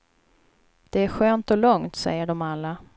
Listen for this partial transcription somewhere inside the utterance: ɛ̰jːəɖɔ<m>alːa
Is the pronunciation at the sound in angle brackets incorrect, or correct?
correct